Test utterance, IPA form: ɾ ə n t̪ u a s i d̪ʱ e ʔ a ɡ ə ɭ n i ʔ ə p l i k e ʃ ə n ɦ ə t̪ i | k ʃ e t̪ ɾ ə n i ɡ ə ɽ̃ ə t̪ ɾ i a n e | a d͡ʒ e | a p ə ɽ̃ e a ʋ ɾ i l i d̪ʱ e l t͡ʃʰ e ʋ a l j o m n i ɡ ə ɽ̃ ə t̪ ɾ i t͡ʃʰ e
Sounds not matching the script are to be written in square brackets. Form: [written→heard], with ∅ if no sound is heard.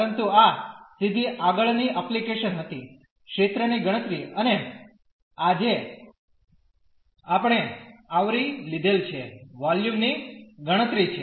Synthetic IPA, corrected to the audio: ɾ ə n t̪ u a s i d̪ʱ [e→i] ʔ a ɡ ə ɭ n i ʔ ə p l i k e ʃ ə n ɦ ə t̪ i | k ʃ e t̪ ɾ ə n i ɡ ə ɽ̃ ə t̪ ɾ i [a→ə] n e | a d͡ʒ e | a p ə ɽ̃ e a ʋ ɾ i l i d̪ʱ e l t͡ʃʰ e ʋ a l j [o→u] m n i ɡ ə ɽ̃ ə t̪ ɾ i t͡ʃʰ e